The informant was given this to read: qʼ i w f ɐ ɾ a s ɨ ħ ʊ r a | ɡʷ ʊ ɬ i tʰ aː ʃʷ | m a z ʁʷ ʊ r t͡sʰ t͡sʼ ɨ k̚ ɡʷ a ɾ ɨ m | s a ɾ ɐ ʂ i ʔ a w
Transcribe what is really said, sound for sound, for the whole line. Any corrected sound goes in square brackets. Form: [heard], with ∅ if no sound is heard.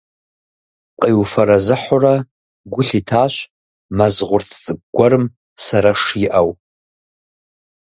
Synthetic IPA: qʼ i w f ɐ ɾ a [z] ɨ ħ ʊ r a | ɡʷ ʊ ɬ i tʰ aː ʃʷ | m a z ʁʷ ʊ r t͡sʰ t͡sʼ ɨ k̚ ɡʷ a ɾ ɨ m | s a ɾ [a] ʂ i ʔ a w